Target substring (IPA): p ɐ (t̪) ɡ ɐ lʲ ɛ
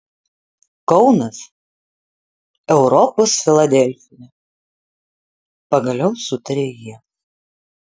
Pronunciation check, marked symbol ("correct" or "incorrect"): incorrect